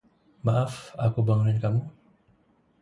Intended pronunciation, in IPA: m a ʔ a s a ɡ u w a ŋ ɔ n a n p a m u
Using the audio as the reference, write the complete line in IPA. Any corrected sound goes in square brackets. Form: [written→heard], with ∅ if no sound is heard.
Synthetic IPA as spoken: m a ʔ a [s→f] a [ɡ→k] u [w→b] a ŋ [ɔ→u] n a n [p→k] a m u